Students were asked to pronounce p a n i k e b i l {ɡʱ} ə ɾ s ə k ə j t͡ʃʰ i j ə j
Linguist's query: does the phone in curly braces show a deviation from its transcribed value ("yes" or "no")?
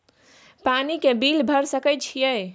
yes